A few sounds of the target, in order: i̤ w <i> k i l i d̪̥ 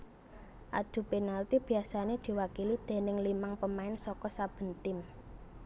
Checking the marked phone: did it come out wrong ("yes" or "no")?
yes